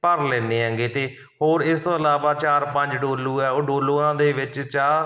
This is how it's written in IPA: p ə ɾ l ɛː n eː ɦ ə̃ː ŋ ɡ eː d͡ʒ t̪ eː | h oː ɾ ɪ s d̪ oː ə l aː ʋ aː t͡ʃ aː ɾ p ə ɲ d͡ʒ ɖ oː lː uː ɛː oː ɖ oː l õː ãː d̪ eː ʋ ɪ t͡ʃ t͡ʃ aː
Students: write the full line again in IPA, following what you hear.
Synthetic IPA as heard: p ə ɾ l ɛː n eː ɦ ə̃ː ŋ ɡ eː t̪ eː | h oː ɾ ɪ s t̪ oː ə l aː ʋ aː t͡ʃ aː ɾ p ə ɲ d͡ʒ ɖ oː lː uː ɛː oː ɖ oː l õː ãː d̪ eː ʋ ɪ t͡ʃ t͡ʃ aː